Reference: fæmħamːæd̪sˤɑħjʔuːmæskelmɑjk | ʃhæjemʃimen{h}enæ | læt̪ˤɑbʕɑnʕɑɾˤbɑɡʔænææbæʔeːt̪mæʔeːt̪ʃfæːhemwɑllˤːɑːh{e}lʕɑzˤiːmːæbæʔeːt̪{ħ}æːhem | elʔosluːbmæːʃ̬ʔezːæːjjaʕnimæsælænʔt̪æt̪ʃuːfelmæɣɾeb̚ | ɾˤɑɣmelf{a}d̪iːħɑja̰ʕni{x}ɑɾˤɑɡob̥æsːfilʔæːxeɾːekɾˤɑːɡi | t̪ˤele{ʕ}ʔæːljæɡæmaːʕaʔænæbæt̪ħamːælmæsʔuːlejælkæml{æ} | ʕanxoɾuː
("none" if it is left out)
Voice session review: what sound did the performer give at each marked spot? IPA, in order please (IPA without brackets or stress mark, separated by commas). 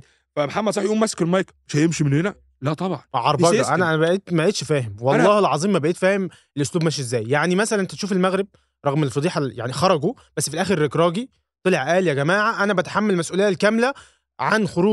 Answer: h, e, f, ɑ, x, ʕ, æ